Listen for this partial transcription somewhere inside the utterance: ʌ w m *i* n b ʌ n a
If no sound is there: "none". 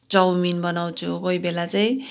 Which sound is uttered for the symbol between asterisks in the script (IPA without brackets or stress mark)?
i